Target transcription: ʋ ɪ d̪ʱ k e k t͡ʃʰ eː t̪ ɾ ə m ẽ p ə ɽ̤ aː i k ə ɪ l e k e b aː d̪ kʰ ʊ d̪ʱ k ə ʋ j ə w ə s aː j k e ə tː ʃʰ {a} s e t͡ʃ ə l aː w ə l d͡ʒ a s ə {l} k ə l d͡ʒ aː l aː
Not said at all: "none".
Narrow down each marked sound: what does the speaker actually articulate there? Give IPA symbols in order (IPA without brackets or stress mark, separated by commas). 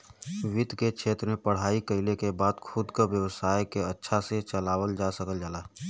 a, none